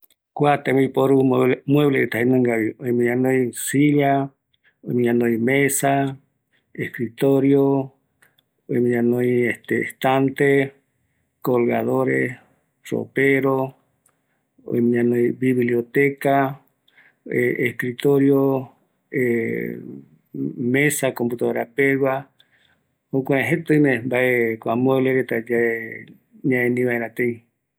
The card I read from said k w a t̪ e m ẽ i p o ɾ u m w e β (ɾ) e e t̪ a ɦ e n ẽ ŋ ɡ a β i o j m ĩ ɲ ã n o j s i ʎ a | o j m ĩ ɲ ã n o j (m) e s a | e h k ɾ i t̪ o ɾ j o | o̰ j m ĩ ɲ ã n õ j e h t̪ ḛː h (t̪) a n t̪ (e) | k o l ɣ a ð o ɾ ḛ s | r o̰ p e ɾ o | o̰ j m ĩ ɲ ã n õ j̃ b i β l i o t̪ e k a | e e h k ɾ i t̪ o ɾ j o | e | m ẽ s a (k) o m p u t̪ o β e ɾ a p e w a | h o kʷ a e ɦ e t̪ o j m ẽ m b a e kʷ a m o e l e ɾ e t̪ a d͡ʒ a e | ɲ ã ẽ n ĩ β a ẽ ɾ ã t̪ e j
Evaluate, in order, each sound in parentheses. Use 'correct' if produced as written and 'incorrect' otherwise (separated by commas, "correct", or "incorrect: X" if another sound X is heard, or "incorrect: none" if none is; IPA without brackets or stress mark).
incorrect: l, correct, correct, correct, correct